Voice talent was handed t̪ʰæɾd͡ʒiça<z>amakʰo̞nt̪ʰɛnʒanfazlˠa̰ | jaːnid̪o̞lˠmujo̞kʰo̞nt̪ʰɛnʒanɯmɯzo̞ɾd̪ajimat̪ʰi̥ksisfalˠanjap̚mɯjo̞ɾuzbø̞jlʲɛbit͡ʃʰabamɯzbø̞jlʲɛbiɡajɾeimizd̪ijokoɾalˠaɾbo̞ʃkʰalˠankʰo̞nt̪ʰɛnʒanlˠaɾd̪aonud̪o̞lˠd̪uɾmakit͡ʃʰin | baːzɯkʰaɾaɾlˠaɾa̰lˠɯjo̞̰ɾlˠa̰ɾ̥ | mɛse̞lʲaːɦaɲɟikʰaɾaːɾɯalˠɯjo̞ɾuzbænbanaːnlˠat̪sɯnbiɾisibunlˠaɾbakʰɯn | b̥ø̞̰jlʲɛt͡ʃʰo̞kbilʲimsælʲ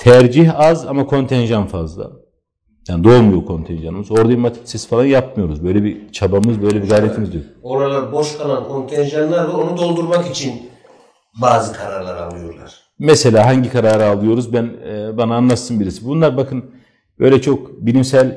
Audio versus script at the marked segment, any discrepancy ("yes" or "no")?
no